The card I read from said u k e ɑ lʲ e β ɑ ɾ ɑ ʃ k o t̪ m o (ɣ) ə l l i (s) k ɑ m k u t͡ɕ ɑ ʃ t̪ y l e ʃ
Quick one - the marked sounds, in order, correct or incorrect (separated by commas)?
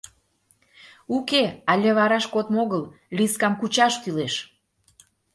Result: correct, correct